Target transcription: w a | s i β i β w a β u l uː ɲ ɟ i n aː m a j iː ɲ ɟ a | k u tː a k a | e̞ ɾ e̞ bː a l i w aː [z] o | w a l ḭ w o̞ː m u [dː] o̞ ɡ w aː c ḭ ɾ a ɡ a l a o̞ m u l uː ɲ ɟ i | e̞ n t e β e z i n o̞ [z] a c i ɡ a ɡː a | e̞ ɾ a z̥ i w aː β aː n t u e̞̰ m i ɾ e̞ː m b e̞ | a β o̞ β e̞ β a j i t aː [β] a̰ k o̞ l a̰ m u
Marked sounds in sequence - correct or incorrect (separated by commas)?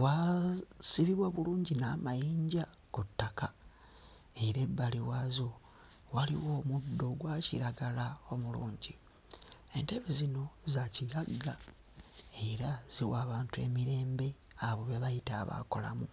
correct, correct, correct, correct